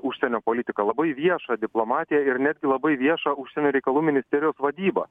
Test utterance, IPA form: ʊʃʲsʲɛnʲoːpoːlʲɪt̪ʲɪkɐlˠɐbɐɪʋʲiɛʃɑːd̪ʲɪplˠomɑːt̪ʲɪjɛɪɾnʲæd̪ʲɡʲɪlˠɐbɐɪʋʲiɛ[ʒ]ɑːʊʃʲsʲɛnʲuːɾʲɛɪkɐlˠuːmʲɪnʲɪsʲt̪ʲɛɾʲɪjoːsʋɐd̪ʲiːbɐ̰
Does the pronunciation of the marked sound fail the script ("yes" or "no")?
yes